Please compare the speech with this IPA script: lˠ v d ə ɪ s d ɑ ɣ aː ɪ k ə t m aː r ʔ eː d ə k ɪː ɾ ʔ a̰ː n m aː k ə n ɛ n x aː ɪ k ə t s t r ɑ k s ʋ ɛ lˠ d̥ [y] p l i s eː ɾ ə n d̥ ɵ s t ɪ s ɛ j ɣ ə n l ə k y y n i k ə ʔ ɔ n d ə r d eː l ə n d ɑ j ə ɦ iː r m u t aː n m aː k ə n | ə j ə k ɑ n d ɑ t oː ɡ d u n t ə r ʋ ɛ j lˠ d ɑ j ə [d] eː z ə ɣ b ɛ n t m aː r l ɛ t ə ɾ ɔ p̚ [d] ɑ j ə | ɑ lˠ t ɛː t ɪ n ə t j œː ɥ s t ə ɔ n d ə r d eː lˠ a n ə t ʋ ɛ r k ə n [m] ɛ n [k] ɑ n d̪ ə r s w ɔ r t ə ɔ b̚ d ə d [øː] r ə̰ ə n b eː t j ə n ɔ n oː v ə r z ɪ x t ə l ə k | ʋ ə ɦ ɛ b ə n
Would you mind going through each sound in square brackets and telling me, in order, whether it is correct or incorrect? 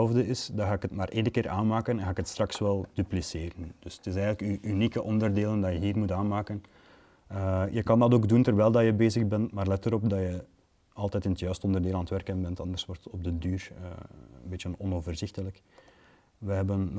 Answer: correct, incorrect, correct, incorrect, incorrect, incorrect

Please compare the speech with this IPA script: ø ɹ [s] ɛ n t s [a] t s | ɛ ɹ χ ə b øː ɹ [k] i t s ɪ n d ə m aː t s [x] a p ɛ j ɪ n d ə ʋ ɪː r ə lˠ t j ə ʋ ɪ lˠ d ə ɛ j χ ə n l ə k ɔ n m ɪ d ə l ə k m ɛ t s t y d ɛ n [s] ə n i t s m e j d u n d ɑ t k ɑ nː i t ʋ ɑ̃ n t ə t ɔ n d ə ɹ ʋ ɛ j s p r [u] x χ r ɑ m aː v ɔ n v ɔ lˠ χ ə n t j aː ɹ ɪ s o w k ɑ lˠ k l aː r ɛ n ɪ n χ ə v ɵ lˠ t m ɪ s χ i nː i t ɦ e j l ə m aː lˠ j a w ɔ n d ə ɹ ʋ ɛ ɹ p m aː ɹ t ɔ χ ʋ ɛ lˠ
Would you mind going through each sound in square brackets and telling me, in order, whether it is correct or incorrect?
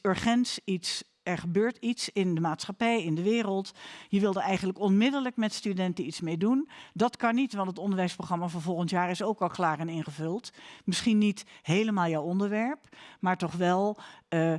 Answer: incorrect, incorrect, incorrect, incorrect, incorrect, incorrect

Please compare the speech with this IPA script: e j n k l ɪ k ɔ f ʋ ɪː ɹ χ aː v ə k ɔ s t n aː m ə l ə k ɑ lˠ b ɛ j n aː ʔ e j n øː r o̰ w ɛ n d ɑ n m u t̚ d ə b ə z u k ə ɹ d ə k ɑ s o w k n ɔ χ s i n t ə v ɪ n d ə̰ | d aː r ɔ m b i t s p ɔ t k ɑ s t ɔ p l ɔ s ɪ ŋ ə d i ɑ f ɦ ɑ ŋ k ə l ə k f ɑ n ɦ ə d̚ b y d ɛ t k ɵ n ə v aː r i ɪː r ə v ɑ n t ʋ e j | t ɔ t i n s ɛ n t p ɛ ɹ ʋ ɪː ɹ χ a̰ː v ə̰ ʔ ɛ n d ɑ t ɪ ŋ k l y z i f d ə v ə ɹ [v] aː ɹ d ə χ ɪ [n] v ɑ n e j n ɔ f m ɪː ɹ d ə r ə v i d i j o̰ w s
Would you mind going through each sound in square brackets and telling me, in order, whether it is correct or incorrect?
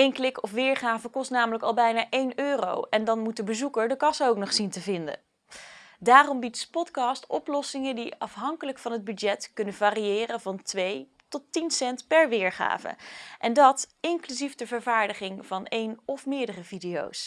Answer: correct, incorrect

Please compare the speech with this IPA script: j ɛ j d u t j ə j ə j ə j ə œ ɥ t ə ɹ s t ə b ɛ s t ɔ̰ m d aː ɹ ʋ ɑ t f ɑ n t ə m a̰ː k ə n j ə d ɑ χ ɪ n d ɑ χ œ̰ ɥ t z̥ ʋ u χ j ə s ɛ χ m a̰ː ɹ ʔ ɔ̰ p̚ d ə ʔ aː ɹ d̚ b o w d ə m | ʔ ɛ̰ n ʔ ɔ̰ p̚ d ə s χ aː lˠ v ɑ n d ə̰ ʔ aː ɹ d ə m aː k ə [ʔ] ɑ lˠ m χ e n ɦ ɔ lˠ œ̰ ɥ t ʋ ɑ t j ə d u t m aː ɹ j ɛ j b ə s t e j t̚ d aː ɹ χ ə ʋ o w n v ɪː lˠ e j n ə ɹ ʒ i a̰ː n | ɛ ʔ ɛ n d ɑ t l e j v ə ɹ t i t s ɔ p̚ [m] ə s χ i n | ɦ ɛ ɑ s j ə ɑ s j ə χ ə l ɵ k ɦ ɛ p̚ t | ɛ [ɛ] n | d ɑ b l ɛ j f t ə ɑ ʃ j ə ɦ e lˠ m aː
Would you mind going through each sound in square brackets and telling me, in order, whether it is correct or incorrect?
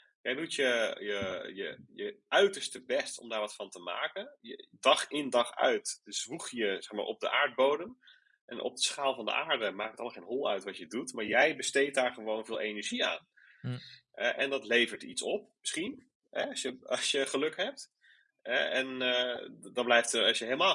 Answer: incorrect, correct, correct

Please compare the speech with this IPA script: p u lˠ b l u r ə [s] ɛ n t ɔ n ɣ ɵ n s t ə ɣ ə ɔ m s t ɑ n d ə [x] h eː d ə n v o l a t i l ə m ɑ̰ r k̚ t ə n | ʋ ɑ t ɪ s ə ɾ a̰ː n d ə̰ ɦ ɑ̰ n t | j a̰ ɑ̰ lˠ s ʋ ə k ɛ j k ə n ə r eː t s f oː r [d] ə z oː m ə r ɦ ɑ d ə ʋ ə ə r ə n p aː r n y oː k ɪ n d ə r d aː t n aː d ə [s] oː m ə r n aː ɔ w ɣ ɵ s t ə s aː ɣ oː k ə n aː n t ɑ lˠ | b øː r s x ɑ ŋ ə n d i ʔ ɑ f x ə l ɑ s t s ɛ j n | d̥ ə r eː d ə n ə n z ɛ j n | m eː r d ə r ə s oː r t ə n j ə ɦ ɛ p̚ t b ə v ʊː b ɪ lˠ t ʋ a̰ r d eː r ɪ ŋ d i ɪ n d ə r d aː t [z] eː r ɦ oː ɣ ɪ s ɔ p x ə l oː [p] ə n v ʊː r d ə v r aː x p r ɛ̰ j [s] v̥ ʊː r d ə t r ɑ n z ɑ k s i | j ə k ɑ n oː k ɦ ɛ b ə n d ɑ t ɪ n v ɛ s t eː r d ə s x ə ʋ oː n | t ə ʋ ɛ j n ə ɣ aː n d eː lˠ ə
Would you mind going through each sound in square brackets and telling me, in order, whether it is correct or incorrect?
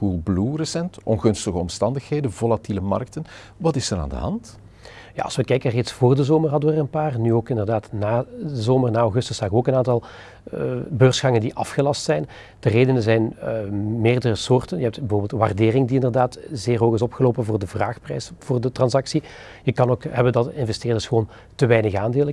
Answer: correct, correct, correct, incorrect, correct, correct, correct

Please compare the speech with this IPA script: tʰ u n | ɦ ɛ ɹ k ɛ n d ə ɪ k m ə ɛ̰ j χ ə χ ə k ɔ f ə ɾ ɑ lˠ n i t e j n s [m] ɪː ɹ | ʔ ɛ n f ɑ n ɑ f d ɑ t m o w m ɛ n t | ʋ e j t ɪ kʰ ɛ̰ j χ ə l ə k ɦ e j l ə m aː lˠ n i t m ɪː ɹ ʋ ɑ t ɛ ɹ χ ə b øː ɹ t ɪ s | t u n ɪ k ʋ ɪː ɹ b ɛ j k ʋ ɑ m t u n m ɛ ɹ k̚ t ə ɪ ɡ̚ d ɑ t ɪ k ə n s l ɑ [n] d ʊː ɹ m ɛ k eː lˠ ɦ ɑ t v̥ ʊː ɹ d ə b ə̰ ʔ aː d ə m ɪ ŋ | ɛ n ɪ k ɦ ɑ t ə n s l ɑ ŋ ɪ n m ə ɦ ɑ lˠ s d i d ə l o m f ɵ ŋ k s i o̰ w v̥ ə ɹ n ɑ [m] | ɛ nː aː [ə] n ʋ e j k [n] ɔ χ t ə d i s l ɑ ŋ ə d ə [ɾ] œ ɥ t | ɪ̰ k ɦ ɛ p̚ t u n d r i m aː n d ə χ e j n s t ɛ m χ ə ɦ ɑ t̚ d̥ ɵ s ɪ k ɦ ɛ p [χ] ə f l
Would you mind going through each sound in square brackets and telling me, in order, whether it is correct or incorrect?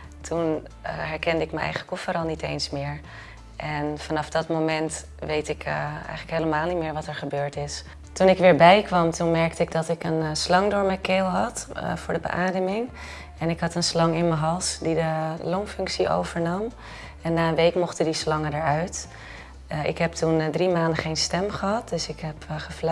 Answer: correct, incorrect, correct, correct, incorrect, incorrect, correct

